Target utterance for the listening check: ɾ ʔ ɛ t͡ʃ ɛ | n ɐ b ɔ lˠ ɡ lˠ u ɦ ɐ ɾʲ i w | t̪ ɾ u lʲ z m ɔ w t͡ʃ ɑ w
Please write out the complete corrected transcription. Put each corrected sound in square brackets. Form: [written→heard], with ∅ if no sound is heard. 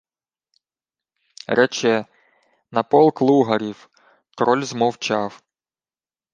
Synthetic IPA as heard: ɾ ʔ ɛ t͡ʃ ɛ | n ɐ [b→p] ɔ lˠ [ɡ→k] lˠ u ɦ ɐ ɾʲ i w | t̪ ɾ [u→ɔ] lʲ z m ɔ w t͡ʃ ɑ w